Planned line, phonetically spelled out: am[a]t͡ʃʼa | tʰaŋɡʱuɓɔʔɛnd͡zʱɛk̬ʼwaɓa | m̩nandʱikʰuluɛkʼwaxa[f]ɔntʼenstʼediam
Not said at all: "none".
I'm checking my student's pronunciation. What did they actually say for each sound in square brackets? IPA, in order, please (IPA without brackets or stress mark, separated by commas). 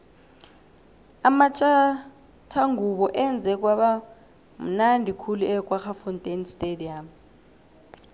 a, f